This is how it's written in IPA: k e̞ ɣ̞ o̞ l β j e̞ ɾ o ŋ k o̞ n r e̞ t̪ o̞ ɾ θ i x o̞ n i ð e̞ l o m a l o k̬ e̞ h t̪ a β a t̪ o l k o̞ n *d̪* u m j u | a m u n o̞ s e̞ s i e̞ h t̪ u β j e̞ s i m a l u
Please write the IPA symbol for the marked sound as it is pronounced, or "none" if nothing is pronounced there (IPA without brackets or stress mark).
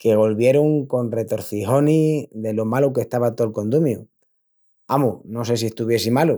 d̪